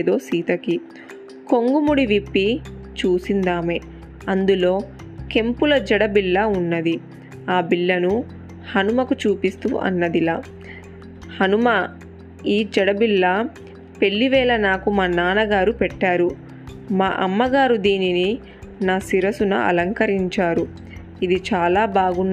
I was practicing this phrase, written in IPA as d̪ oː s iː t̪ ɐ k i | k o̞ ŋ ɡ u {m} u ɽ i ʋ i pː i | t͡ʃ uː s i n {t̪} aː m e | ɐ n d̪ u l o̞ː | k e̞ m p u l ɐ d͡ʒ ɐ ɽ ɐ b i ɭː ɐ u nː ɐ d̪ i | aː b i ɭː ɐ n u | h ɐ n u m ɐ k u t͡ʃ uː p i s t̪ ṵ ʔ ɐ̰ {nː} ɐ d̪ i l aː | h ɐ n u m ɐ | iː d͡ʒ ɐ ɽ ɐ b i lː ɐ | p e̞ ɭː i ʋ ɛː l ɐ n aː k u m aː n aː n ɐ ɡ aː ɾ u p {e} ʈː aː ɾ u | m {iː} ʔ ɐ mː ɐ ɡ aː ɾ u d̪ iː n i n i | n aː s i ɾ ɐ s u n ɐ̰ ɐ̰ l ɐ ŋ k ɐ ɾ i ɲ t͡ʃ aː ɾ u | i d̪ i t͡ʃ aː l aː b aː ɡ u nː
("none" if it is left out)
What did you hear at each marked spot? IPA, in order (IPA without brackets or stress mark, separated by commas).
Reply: m, d̪, nː, ɛ, aː